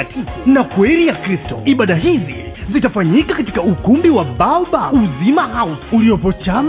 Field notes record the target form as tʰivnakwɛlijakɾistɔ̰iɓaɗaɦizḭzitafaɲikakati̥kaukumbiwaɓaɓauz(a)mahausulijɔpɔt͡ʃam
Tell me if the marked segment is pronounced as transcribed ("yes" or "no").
no